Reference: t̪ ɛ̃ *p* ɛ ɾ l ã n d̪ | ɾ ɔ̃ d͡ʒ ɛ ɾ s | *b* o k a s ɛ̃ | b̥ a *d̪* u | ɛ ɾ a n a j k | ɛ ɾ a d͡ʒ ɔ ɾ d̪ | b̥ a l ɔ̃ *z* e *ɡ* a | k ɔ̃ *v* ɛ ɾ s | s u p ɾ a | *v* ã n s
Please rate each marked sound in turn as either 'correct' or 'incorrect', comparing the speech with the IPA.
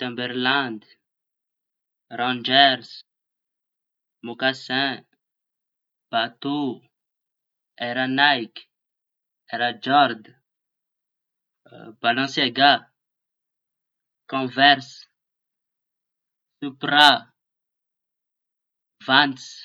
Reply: incorrect, incorrect, incorrect, incorrect, correct, correct, correct

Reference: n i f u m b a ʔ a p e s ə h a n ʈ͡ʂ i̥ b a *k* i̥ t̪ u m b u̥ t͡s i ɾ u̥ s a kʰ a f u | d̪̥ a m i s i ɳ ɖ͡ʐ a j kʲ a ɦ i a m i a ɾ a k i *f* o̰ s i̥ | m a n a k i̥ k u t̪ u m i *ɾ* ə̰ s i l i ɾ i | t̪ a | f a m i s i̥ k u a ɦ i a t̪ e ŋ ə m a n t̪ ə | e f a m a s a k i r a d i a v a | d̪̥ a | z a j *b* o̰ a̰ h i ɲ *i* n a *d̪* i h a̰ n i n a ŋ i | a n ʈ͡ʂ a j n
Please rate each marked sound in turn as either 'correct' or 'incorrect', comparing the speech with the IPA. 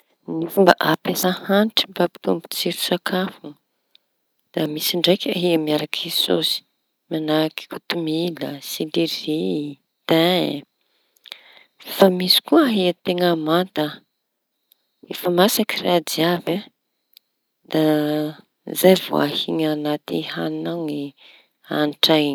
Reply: incorrect, incorrect, incorrect, incorrect, incorrect, incorrect

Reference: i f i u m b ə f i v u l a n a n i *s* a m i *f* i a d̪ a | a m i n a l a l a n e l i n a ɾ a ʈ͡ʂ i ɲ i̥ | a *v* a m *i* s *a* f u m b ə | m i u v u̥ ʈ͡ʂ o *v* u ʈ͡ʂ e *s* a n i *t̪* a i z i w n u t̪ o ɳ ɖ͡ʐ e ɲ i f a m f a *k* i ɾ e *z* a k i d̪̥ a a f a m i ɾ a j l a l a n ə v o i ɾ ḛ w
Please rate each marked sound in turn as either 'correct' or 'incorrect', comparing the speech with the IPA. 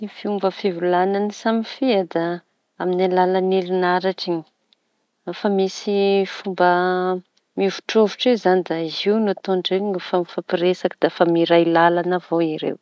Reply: correct, correct, incorrect, correct, incorrect, correct, incorrect, incorrect, incorrect, incorrect

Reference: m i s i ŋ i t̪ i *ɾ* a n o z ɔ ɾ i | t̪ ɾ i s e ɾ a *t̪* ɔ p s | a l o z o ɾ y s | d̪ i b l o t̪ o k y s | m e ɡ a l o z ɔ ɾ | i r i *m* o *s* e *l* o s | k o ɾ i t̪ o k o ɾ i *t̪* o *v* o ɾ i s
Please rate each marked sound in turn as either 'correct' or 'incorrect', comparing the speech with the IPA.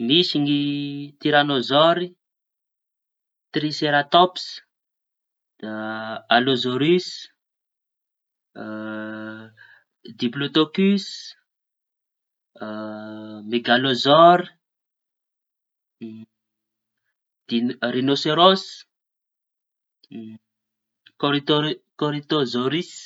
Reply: correct, correct, incorrect, correct, incorrect, correct, incorrect

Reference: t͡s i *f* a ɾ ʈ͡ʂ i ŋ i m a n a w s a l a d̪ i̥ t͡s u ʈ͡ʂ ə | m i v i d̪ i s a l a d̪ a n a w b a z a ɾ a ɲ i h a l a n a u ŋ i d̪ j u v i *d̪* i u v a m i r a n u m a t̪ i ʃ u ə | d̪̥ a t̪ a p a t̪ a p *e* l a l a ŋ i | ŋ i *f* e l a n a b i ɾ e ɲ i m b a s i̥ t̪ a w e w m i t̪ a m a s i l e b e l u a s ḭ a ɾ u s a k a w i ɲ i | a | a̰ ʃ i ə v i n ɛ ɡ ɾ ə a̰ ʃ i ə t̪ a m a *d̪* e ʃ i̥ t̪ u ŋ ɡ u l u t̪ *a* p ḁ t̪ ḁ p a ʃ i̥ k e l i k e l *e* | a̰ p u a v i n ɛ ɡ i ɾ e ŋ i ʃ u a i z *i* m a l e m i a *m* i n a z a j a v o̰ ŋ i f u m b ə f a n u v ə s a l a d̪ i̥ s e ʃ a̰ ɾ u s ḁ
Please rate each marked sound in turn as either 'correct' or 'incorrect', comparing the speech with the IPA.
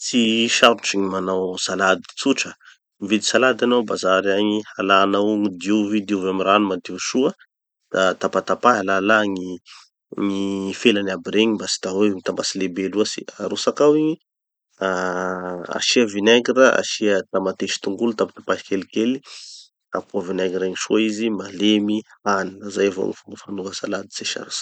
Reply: incorrect, correct, incorrect, correct, incorrect, correct, incorrect, correct, incorrect

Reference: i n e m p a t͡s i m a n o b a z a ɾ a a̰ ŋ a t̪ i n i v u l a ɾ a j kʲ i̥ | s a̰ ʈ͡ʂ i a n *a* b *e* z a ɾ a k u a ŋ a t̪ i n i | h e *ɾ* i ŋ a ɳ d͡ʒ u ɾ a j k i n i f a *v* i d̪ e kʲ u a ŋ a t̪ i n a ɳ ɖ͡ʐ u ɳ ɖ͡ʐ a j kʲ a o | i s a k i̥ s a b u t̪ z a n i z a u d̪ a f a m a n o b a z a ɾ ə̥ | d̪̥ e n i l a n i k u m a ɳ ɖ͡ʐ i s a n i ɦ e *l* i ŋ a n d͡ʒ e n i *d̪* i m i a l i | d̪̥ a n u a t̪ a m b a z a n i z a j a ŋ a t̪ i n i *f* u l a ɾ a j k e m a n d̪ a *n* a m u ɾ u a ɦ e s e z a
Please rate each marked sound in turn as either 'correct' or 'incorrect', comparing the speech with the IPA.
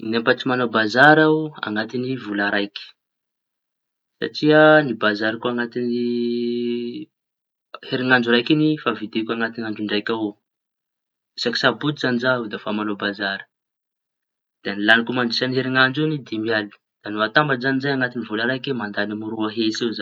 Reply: incorrect, incorrect, correct, correct, incorrect, correct, incorrect, correct

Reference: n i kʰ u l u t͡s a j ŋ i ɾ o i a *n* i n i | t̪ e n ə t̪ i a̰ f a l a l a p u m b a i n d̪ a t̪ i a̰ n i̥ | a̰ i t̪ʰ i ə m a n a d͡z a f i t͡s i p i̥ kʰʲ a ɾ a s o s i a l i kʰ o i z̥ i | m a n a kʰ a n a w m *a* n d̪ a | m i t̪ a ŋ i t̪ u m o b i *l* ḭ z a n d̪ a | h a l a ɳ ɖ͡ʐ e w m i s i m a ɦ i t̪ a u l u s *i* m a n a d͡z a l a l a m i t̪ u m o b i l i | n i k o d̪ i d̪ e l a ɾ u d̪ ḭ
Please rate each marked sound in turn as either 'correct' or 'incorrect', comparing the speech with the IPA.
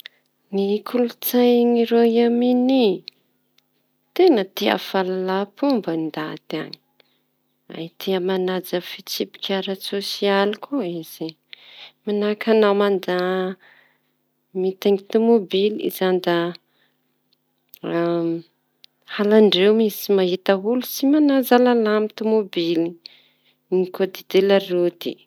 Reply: incorrect, correct, correct, correct

